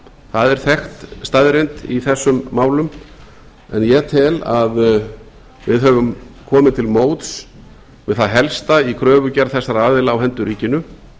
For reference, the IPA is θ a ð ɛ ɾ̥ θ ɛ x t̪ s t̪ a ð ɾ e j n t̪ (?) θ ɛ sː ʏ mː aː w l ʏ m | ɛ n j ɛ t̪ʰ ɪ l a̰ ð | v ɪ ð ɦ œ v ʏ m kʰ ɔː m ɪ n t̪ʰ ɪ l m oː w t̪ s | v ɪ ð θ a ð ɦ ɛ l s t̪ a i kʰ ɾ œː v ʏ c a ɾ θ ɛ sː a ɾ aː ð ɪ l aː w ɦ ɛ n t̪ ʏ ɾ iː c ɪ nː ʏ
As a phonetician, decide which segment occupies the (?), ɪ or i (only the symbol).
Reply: i